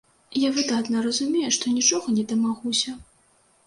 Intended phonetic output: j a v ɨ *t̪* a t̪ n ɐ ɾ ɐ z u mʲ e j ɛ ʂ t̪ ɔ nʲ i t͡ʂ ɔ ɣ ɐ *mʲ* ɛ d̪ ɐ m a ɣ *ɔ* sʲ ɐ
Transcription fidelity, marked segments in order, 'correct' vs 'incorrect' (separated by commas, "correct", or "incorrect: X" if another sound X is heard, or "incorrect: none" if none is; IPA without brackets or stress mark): incorrect: d̪, incorrect: nʲ, incorrect: u